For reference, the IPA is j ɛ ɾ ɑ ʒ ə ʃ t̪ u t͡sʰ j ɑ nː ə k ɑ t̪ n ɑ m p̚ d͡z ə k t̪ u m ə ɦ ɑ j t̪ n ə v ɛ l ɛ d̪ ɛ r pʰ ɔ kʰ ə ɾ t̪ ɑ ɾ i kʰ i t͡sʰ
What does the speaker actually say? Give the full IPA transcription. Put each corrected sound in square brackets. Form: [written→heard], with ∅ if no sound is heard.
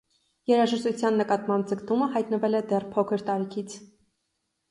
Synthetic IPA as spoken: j ɛ ɾ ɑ ʒ ə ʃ t̪ u t͡sʰ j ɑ nː ə k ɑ t̪ [n→m] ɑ m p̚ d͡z ə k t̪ u m ə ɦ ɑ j t̪ n ə v ɛ l ɛ d̪ ɛ r pʰ ɔ kʰ ə ɾ t̪ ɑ ɾ i kʰ i t͡sʰ